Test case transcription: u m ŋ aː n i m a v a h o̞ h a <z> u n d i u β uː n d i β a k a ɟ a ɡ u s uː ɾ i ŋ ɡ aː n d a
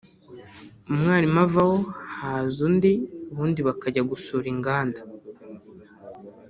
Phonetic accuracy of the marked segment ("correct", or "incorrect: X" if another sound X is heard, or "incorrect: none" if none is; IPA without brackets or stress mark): correct